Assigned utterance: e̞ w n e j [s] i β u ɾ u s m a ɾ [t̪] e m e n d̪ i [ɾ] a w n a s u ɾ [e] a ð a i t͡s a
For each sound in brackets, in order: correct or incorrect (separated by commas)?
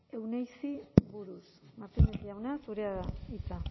correct, correct, incorrect, correct